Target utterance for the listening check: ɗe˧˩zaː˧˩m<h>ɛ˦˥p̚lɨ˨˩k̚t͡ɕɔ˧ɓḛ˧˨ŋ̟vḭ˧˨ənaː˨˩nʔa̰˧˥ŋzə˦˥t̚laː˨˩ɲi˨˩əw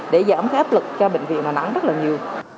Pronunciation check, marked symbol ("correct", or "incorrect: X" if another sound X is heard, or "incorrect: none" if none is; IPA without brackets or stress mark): incorrect: x